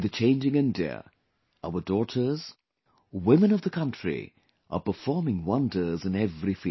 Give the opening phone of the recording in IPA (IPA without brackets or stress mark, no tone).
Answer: ð